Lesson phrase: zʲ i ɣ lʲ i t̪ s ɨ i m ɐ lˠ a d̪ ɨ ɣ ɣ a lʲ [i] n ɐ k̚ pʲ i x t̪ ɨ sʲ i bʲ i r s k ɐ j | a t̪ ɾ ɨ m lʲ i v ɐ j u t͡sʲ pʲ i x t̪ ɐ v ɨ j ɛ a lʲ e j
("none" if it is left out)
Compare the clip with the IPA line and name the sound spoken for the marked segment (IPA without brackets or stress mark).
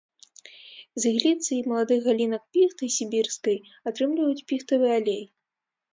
i